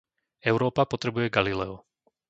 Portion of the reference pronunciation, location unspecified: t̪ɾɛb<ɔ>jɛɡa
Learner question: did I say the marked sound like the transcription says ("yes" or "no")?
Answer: no